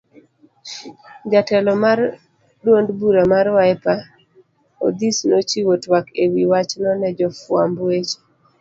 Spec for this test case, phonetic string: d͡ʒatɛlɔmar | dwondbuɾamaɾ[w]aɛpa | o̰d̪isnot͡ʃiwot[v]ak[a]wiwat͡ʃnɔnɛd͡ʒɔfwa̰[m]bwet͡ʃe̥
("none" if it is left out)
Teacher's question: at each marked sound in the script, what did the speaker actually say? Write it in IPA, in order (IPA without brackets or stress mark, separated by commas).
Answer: w, w, e, m